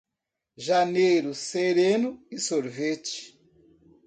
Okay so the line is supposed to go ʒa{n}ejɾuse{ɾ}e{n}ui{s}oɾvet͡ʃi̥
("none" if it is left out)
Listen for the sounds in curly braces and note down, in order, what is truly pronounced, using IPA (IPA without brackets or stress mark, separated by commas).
n, ɾ, n, s